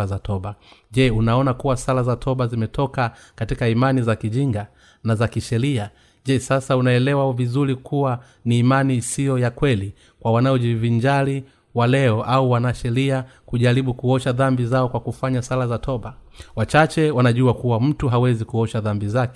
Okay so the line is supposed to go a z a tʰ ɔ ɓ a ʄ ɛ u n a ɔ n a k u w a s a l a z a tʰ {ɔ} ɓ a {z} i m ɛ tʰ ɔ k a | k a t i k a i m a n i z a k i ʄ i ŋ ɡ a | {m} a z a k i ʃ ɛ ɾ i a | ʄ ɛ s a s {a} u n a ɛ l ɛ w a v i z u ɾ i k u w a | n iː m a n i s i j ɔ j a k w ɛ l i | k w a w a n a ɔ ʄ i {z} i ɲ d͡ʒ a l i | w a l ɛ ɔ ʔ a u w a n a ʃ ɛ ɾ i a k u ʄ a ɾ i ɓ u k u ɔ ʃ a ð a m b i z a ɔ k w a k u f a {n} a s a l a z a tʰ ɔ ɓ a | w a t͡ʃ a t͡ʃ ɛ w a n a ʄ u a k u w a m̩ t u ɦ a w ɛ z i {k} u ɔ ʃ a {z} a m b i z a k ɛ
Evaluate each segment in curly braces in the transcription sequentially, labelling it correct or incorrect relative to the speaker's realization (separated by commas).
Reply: correct, correct, incorrect, correct, incorrect, incorrect, correct, incorrect